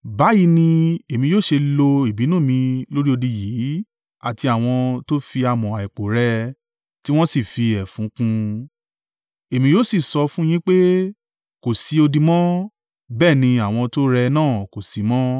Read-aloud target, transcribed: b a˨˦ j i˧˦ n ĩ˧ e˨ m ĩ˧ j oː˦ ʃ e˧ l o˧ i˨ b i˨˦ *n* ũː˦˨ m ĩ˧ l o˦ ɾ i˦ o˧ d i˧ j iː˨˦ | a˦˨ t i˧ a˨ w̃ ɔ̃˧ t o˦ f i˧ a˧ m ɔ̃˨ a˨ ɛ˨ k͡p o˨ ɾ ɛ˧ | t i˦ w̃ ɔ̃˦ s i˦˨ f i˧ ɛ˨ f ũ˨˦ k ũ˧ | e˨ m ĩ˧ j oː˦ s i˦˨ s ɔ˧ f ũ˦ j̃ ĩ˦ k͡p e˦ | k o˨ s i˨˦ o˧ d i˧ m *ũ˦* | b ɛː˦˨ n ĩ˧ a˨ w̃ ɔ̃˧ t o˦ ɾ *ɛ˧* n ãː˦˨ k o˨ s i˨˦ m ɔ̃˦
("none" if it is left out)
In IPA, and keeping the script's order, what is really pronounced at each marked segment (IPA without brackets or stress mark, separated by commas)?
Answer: n, ɔ̃˦, ɛ˧